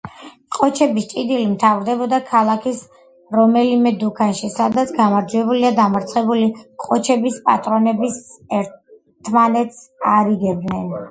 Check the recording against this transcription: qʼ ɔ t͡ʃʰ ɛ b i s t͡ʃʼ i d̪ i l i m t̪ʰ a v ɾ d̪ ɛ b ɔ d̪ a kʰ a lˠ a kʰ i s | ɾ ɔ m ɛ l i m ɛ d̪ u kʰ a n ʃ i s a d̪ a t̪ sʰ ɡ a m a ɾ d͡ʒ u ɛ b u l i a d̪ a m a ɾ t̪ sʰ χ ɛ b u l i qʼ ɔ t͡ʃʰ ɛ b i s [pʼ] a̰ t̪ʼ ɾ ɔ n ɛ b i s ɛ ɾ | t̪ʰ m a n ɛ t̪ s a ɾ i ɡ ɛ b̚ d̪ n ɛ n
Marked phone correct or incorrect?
correct